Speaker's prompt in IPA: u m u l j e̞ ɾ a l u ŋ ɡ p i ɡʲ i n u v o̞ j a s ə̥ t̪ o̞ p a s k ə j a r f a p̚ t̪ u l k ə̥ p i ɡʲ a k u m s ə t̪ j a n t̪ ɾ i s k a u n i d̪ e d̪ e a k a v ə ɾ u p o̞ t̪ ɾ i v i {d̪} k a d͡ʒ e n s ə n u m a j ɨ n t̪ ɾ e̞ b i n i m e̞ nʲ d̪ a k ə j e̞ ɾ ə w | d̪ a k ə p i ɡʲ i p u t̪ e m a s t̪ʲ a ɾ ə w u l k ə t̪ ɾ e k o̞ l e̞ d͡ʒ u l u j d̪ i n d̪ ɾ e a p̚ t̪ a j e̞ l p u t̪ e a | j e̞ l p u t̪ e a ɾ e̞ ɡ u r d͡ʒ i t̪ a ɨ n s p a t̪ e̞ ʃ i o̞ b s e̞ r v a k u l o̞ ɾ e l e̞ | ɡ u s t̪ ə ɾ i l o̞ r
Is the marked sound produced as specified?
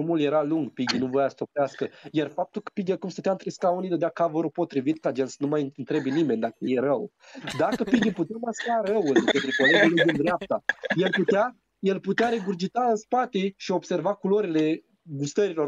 no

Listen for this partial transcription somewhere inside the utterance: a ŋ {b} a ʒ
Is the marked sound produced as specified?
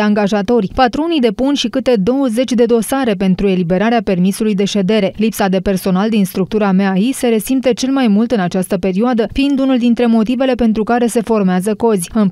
no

